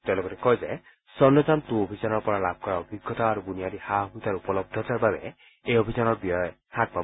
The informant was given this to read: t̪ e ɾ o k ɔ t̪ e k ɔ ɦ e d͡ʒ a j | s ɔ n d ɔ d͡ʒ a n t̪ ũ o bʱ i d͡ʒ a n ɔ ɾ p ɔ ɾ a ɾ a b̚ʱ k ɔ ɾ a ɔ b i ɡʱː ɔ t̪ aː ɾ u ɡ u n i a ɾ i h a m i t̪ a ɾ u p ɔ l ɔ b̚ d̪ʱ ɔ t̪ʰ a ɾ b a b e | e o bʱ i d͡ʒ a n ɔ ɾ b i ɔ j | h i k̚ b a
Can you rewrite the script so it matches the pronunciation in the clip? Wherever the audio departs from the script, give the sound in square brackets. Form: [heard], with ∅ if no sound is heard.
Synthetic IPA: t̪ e [l] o k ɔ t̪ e k ɔ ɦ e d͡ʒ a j | s ɔ n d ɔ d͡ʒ a n t̪ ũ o bʱ i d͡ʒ a n ɔ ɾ p ɔ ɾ a [l] a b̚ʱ k ɔ ɾ a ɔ b i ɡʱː ɔ t̪ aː ɾ u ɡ u n i a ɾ i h a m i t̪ a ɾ u p ɔ l ɔ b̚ d̪ʱ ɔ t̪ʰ a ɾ b a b e | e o bʱ i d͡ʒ a n ɔ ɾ b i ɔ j | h [a] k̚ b a